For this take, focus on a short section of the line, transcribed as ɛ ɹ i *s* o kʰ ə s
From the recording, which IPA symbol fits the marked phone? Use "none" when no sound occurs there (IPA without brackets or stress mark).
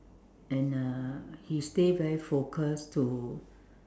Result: f